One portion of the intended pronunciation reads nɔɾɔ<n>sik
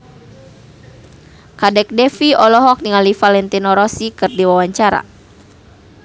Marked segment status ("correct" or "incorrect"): incorrect